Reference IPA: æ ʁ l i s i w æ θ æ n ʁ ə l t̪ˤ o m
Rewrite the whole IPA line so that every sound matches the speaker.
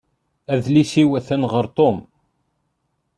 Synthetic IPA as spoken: æ ð l i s i w æ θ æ n ʁ ə ɾ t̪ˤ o m